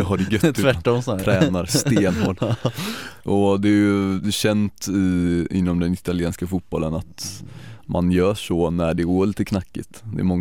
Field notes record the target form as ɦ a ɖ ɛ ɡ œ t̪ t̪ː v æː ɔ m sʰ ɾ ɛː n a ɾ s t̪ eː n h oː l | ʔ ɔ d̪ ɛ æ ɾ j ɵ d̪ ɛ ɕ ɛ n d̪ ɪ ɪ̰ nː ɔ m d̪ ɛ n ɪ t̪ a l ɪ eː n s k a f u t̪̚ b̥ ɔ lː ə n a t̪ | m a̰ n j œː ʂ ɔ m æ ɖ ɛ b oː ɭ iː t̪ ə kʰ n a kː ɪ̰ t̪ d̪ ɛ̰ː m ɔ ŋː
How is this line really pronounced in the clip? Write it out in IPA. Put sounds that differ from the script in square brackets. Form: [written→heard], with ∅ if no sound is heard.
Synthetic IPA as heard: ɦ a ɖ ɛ ɡ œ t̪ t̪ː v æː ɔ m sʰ ɾ ɛː n a ɾ s t̪ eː n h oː l | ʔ ɔ d̪ ɛ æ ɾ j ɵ d̪ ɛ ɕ ɛ n [d̪→t̪] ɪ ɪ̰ nː ɔ m d̪ ɛ n ɪ t̪ a l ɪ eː n s k a f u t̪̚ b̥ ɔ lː ə n a t̪ | m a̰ n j œː ʂ ɔ [m→n] æ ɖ ɛ [b→ɡ] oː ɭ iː t̪ ə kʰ n a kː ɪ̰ t̪ d̪ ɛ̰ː m ɔ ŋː